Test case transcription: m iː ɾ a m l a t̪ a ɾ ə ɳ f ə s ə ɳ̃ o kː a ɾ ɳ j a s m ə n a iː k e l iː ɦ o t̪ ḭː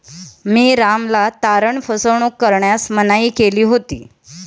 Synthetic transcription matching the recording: m iː ɾ a m l a t̪ a ɾ ə ɳ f ə s ə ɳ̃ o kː ə ɾ ɳ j a s m ə n a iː k e l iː ɦ o t̪ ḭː